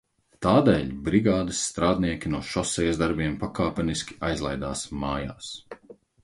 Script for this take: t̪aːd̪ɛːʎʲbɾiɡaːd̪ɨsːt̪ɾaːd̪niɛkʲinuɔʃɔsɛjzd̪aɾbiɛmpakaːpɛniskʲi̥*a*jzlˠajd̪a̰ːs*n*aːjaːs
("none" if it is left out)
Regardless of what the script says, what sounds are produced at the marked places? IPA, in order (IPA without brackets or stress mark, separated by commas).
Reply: a, m